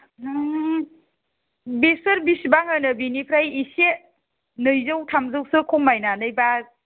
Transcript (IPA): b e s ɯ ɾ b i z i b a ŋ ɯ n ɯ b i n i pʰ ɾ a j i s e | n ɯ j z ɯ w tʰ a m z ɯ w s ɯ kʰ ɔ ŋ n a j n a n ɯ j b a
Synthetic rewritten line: b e s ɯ ɾ b i s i b a ŋ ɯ n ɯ b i n i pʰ ɾ a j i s e | n ɯ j z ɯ w tʰ a m z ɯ w s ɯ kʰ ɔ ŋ m a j n a n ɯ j b a

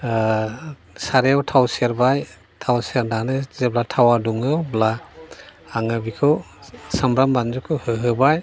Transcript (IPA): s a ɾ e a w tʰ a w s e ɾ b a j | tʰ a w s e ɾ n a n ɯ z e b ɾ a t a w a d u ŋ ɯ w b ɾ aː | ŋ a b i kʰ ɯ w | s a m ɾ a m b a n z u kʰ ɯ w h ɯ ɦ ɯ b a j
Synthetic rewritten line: s a ɾ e a w tʰ a w s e ɾ b a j | tʰ a w s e ɾ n a n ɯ z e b l a tʰ a w a d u ŋ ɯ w b l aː | ŋ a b i kʰ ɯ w | s a m ɾ a m b a n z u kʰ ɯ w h ɯ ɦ ɯ b a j

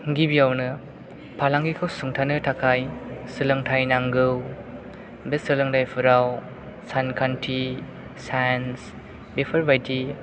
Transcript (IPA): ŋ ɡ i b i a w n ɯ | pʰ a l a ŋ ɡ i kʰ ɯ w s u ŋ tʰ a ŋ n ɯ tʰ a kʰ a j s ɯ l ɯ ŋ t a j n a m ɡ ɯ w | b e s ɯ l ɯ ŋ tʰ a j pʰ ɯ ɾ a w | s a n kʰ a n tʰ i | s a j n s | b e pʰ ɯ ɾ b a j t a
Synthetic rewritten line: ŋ ɡ i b i a w n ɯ | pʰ a l a ŋ ɡ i kʰ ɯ w s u ŋ tʰ a n ɯ tʰ a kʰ a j s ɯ l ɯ ŋ tʰ a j n a ŋ ɡ ɯ w | b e s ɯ l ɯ ŋ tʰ a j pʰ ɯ ɾ a w | s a n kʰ a n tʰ i | s a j n s | b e pʰ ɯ ɾ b a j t i

